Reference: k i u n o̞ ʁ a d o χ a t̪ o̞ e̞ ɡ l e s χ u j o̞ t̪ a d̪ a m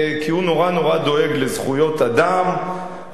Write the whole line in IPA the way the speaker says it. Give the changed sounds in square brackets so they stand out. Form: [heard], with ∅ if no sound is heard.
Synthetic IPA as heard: k i u n o̞ ʁ a [n] o [ʁ] a [d̪] o̞ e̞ ɡ l e [z] χ u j o̞ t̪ a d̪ a m